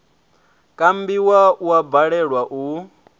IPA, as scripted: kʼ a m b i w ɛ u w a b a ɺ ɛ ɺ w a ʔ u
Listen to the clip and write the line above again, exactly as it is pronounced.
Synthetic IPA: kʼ a m b i w a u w a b a ɺ ɛ ɺ w a ʔ u

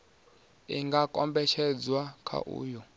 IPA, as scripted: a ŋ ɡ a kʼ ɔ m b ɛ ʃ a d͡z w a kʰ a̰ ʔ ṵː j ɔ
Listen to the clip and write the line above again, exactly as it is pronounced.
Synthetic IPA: i ŋ ɡ a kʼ ɔ m b ɛ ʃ ɛ d͡z w a kʰ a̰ ʔ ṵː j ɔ

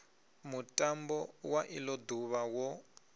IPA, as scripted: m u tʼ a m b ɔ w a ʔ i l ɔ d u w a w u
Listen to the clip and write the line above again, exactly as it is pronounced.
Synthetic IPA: m u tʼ a m b ɔ w a ʔ i l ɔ d u β a w ɔ

